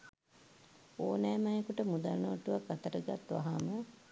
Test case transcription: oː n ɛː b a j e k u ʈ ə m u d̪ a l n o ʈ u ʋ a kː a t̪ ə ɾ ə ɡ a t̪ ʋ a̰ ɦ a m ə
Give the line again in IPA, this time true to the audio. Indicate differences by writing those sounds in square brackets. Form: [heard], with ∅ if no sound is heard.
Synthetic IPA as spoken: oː n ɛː [m] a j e k u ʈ ə m u d̪ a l n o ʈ u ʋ a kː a t̪ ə ɾ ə ɡ a t̪ ʋ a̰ ɦ a m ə